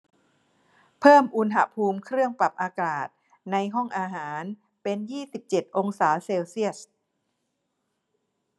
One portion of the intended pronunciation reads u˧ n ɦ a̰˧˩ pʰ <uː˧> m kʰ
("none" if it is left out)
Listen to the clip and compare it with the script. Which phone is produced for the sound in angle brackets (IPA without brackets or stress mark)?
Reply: uː˧